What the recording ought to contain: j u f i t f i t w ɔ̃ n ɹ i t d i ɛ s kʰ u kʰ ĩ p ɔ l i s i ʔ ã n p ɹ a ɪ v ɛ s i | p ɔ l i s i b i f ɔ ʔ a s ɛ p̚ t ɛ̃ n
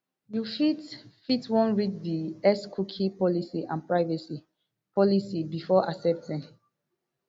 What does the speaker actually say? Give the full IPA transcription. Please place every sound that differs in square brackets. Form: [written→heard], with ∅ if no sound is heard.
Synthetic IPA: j u f i t f i t w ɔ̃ n ɹ i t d i ɛ s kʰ u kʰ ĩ p ɔ l i s i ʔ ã n p ɹ a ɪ v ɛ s i | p ɔ l i s i b i f ɔ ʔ a s ɛ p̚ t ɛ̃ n